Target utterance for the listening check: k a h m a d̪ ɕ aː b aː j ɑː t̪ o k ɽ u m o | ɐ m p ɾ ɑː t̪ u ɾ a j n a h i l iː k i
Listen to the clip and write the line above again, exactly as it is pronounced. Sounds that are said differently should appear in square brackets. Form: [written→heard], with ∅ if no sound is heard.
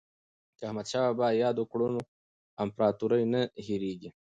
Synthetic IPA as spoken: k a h m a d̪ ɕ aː b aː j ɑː [t̪→d̪] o k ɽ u [m→n] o | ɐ m p ɾ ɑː t̪ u ɾ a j n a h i [l→ɾ] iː [k→ɡ] i